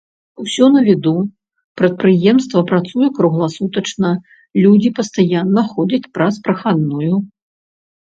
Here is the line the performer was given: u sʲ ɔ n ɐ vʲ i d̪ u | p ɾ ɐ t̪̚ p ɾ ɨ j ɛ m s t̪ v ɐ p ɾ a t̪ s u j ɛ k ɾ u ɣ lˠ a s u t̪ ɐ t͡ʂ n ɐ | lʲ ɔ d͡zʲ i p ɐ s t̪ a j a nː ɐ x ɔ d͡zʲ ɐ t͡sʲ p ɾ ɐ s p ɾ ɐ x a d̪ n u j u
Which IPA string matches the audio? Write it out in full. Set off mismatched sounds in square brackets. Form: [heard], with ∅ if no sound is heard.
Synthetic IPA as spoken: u sʲ ɔ n ɐ vʲ i d̪ u | p ɾ ɐ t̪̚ p ɾ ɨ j ɛ m s t̪ v ɐ p ɾ a t̪ s u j ɛ k ɾ u ɣ lˠ a s u t̪ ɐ t͡ʂ n ɐ | lʲ [u] d͡zʲ i p ɐ s t̪ a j a nː ɐ x ɔ d͡zʲ ɐ t͡sʲ p ɾ ɐ s p ɾ ɐ x a d̪ n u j u